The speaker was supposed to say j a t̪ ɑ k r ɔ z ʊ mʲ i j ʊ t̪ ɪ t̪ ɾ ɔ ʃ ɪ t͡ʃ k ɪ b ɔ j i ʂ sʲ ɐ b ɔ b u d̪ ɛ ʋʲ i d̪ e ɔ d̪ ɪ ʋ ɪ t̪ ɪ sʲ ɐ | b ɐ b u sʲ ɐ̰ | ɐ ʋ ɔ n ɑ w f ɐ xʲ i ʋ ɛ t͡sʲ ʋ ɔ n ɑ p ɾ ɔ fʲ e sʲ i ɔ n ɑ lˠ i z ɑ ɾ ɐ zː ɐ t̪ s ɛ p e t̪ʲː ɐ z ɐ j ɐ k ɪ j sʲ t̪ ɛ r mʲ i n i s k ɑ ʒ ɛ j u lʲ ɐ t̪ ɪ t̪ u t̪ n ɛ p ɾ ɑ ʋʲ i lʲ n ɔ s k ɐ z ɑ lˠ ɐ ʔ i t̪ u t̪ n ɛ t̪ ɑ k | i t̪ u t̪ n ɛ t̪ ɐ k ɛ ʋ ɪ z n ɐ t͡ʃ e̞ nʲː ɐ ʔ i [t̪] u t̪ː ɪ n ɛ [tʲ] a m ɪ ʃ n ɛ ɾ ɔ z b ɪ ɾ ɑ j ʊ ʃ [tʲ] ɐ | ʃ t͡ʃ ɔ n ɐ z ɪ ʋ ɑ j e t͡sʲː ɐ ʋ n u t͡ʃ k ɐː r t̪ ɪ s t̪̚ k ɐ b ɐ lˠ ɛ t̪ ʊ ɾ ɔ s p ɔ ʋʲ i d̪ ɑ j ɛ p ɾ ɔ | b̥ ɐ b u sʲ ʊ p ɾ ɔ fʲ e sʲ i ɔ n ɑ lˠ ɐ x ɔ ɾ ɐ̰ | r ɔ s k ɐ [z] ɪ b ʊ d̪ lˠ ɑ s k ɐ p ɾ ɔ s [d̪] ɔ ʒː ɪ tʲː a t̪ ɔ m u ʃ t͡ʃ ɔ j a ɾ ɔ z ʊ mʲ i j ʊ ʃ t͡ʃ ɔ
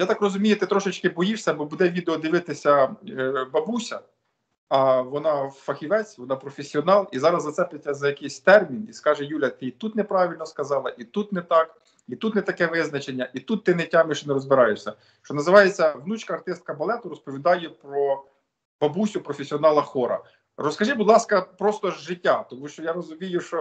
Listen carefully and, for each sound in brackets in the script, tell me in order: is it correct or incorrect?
correct, correct, incorrect: sʲ, incorrect: ʒ, incorrect: t̪

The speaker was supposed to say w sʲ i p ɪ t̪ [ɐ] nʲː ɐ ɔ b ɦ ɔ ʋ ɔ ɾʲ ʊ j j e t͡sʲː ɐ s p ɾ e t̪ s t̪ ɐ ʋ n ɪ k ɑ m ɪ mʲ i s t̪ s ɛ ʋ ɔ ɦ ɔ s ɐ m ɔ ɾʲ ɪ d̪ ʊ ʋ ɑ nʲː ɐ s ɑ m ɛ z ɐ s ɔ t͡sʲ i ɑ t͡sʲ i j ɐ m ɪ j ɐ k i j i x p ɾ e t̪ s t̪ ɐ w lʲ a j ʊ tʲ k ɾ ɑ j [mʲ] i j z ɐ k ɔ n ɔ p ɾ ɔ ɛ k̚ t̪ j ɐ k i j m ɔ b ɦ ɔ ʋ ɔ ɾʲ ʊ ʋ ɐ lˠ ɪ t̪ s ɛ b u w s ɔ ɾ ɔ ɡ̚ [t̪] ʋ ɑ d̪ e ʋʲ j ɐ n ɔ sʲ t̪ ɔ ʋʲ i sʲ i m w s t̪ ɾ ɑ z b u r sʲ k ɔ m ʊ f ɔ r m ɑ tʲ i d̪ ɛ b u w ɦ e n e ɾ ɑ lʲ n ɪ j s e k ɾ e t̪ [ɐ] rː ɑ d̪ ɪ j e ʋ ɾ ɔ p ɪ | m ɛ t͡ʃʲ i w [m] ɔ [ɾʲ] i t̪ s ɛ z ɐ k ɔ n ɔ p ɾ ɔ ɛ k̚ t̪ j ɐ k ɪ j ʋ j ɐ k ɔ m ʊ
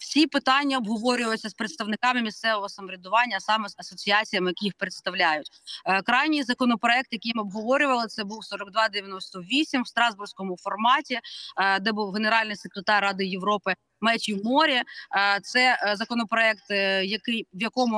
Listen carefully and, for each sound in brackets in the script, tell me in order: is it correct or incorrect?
incorrect: ɑ, incorrect: nʲ, incorrect: d̪, incorrect: ɑ, correct, correct

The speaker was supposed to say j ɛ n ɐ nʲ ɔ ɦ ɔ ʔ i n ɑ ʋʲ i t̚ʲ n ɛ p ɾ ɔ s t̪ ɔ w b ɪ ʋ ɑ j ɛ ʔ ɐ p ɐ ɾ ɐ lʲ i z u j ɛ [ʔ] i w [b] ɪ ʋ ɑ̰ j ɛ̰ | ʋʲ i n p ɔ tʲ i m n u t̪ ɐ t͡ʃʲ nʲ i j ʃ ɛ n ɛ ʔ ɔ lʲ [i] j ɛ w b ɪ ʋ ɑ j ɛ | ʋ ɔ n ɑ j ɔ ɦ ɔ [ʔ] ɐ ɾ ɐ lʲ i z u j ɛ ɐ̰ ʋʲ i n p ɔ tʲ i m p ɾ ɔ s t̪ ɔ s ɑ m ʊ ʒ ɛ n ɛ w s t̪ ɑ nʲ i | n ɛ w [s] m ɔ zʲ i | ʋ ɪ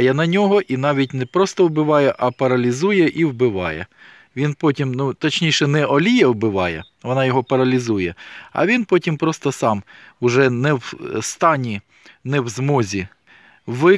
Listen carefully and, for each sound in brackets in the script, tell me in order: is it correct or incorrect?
correct, correct, correct, incorrect: p, incorrect: z

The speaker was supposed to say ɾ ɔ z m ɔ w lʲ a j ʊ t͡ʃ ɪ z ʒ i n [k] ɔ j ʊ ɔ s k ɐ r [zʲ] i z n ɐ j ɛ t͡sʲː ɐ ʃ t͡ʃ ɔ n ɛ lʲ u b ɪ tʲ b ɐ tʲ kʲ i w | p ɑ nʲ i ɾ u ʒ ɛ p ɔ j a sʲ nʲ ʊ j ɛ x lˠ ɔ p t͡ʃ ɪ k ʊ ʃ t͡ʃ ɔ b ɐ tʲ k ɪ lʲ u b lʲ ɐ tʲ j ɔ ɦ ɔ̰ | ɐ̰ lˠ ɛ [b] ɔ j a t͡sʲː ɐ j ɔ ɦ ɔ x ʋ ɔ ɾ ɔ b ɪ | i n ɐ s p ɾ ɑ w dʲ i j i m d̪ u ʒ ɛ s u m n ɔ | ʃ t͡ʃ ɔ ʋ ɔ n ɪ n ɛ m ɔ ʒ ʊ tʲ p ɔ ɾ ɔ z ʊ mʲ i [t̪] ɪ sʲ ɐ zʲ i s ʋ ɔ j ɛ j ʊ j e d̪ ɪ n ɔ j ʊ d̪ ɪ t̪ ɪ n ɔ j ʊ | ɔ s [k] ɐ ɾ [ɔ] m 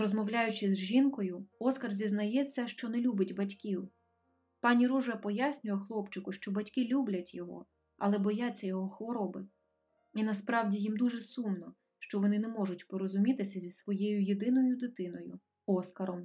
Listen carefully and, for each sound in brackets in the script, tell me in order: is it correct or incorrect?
correct, correct, correct, correct, correct, correct

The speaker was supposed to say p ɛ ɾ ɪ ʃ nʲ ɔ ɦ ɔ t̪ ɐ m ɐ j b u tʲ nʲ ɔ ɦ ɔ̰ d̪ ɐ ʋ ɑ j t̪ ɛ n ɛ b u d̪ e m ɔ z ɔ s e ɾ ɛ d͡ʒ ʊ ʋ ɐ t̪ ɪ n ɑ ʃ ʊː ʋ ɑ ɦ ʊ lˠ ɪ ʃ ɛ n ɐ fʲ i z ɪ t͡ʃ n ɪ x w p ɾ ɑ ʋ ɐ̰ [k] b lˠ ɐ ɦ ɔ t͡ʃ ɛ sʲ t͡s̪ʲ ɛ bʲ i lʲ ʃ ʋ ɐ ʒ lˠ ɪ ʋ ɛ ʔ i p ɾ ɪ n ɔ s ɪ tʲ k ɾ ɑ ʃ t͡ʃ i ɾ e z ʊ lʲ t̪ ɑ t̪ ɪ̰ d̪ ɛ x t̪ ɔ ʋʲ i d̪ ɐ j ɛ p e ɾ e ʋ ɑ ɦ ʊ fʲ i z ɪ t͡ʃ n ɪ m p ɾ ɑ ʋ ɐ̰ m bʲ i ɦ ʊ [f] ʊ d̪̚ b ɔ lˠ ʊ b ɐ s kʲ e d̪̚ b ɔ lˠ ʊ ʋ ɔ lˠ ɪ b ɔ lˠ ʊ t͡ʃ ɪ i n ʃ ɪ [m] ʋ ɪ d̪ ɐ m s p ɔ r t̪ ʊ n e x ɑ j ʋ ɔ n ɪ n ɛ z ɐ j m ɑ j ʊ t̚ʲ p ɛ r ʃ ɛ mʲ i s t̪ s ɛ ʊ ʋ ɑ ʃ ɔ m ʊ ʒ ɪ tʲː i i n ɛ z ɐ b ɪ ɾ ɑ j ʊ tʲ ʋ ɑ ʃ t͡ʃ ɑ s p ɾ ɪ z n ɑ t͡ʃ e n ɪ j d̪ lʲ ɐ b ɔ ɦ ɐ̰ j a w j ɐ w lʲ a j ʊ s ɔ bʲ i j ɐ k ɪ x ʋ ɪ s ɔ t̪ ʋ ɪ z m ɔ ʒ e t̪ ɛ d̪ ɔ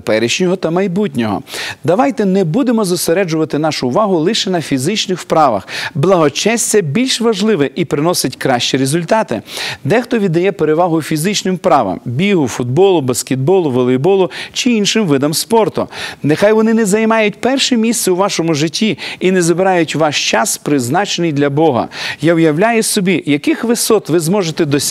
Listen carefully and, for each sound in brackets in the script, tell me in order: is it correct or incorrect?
incorrect: x, correct, correct

